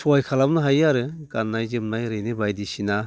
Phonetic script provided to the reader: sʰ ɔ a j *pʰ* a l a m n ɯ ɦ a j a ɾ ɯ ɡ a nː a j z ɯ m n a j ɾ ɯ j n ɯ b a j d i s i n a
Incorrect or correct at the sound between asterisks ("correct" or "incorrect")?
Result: incorrect